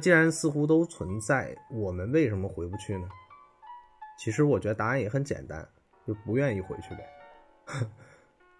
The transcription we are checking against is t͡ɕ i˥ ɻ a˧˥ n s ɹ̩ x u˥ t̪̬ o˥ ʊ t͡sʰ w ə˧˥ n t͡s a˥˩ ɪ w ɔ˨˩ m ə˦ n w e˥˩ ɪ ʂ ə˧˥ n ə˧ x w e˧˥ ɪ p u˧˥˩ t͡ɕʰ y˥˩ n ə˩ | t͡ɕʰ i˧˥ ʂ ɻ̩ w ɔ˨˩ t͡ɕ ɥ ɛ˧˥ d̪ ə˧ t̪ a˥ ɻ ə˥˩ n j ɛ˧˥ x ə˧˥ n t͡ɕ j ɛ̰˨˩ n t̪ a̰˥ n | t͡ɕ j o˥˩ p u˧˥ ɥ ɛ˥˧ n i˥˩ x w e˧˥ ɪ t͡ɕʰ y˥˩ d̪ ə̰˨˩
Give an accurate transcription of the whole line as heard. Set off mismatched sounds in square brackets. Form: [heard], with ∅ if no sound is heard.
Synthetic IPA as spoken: t͡ɕ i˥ ɻ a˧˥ n s ɹ̩ x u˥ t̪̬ o˥ ʊ t͡sʰ w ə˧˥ n t͡s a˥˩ ɪ w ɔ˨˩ m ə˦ n w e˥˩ ɪ ʂ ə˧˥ [m] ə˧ x w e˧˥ ɪ p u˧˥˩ t͡ɕʰ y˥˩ n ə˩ | t͡ɕʰ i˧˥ ʂ ɻ̩ w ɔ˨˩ t͡ɕ ɥ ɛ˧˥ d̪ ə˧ t̪ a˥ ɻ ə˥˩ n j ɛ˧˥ x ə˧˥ n t͡ɕ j ɛ̰˨˩ n t̪ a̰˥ n | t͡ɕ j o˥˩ p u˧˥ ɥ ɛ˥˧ n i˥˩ x w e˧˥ ɪ t͡ɕʰ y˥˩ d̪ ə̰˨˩